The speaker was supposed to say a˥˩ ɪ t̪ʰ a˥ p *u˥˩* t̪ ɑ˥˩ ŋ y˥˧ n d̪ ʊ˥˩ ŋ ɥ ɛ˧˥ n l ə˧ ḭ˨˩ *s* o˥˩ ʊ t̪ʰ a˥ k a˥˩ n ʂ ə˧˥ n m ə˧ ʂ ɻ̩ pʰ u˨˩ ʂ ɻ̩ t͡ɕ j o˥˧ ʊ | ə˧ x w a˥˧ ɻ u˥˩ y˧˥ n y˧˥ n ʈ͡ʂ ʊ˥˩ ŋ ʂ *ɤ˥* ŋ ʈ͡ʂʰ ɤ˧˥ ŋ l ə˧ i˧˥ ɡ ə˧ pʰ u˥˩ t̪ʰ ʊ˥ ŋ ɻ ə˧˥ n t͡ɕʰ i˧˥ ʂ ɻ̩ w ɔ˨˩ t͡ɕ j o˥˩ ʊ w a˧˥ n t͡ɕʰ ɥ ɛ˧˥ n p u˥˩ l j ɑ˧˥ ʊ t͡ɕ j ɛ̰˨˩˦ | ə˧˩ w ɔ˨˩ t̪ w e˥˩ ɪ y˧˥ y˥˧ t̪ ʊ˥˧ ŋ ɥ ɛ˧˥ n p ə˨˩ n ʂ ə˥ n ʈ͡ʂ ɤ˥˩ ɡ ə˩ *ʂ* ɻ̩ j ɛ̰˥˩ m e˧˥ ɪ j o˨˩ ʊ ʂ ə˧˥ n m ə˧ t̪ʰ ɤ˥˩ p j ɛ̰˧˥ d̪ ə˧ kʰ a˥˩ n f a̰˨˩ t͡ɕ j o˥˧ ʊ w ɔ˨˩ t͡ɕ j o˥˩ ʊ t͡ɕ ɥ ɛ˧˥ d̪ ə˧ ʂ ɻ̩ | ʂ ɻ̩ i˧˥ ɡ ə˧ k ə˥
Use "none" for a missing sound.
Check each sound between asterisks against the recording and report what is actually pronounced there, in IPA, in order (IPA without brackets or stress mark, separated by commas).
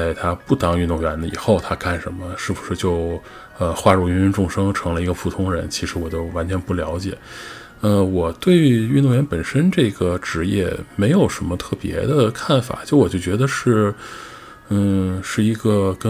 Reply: u˥˩, x, ɤ˥, ʈ͡ʂ